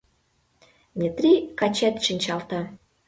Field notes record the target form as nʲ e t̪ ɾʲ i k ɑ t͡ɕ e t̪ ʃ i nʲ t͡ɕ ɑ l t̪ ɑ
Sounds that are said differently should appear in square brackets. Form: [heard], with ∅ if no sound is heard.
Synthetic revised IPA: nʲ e t̪ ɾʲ i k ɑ t͡ɕ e t̪ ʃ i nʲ t͡ɕ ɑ l t̪ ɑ